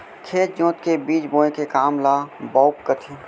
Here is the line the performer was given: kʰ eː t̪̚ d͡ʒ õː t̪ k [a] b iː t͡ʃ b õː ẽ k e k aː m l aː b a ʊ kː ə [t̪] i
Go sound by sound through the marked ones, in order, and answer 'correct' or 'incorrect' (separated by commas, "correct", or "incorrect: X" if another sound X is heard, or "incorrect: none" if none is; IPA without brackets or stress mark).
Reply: incorrect: e, incorrect: t̪ʰ